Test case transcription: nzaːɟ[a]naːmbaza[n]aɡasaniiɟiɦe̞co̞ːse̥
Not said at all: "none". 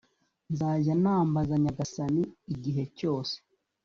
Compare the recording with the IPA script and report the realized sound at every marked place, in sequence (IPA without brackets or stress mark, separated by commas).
a, ɲ